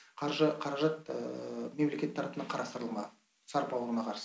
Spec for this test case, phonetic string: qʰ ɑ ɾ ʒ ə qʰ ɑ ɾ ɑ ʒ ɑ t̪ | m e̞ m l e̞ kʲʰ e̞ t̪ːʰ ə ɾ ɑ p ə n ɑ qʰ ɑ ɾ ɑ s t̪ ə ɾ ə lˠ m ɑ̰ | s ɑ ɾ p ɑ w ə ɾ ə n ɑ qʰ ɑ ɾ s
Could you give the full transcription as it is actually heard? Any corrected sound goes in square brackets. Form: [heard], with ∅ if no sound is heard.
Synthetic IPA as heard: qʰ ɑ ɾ ʒ ə qʰ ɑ ɾ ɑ ʒ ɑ t̪ | m e̞ m l e̞ [kʲ] e̞ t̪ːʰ [ɑ] ɾ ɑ p ə n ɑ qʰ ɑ ɾ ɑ s t̪ ə ɾ ə lˠ m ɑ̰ | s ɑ ɾ p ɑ w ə ɾ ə n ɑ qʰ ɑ ɾ s